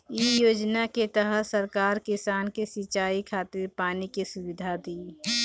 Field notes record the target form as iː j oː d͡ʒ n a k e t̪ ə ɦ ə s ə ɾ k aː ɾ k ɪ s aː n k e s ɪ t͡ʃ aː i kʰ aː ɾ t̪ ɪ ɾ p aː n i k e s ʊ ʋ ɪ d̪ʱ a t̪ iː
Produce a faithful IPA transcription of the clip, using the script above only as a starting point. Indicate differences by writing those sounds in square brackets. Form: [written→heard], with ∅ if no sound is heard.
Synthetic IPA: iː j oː d͡ʒ n a k e t̪ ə ɦ ə s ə ɾ k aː ɾ k ɪ s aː n k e s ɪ t͡ʃ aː i kʰ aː [ɾ→∅] t̪ ɪ ɾ p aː n i k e s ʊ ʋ ɪ d̪ʱ a [t̪→d̪] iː